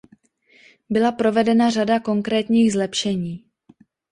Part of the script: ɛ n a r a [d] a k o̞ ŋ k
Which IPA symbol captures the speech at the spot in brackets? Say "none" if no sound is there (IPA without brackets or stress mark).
d